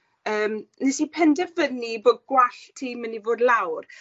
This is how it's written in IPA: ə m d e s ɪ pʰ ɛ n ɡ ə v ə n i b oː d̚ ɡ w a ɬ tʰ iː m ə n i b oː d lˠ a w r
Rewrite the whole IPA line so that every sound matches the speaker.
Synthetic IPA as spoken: əː m n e s i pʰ ɛ n d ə v ə n i b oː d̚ ɡ w a ɬ tʰ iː m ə n i v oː d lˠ a w r